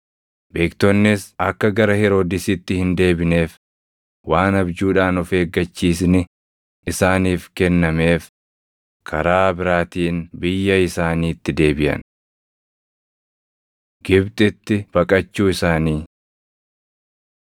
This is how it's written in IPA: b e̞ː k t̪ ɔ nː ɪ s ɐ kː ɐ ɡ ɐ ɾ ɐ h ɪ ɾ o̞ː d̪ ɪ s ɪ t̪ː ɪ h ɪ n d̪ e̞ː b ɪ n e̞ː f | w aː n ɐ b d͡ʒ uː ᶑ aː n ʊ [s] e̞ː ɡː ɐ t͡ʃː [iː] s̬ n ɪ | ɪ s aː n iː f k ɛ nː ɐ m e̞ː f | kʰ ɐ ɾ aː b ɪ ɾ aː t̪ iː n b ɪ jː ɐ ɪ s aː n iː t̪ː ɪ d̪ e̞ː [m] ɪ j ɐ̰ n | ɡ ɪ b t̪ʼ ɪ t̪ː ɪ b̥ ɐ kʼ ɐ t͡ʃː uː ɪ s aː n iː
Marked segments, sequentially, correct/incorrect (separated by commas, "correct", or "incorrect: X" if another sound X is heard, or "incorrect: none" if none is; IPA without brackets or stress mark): incorrect: f, correct, incorrect: b